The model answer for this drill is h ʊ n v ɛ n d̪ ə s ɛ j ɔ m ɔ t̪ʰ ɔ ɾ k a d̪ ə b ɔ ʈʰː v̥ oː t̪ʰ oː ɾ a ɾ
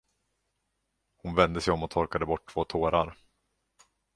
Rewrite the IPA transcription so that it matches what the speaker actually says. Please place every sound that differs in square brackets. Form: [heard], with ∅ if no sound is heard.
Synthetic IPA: h ʊ n v ɛ n d̪ ə s ɛ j ɔ m ɔ t̪ʰ ɔ ɾ k a d̪ ə b ɔ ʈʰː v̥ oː t̪ʰ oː ɾ a ɾ